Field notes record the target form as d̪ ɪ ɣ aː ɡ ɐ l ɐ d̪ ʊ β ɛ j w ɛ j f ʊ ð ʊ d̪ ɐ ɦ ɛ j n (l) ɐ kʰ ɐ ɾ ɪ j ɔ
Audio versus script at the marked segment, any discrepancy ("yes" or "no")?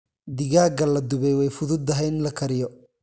no